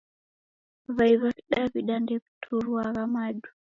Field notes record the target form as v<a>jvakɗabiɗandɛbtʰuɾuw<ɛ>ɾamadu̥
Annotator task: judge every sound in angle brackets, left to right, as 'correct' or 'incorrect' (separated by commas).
correct, incorrect